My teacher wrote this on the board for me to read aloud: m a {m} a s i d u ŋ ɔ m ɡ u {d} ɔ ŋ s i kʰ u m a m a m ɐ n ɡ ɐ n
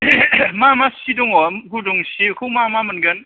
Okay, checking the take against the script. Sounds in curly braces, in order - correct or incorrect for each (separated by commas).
correct, correct